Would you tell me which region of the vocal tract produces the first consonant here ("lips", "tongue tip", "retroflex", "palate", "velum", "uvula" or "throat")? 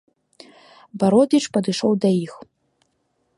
lips